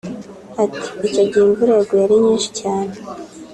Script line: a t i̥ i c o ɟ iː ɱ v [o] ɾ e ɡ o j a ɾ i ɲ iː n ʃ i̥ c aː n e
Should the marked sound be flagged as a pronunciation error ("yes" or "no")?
yes